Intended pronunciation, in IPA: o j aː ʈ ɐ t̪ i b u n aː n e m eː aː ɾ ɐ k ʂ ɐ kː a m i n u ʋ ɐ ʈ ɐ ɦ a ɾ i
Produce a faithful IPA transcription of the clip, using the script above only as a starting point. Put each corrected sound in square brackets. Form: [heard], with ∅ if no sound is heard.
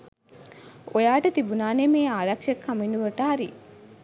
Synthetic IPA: o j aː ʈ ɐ t̪ i b u n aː n e m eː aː ɾ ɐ k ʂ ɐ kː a m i n u ʋ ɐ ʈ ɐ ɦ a ɾ i